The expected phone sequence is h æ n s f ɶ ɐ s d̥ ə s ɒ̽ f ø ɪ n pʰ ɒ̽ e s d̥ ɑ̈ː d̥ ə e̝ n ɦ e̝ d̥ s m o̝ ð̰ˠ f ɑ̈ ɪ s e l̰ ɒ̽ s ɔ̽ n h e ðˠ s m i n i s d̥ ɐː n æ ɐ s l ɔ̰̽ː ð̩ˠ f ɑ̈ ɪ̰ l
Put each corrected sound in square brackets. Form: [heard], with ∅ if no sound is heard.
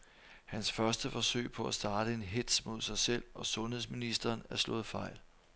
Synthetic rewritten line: h æ n s f ɶ ɐ s d̥ ə [f] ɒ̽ [s] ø ɪ [∅] pʰ ɒ̽ [æ] s d̥ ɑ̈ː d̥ ə e̝ n ɦ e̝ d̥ s m o̝ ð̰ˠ [s] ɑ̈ ɪ s e l̰ ɒ̽ s ɔ̽ n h e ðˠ s m i n i s d̥ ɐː n æ ɐ s l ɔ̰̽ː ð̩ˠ f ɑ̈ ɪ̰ l